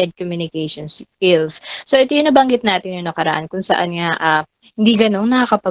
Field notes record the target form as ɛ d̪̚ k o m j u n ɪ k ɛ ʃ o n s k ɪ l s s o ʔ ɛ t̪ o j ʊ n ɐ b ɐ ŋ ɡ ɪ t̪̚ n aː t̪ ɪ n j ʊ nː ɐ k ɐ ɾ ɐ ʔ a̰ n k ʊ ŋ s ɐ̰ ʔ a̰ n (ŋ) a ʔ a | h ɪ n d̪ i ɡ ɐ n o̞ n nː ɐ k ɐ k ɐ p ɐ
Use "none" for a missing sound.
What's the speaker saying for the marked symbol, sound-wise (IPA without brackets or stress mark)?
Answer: ŋ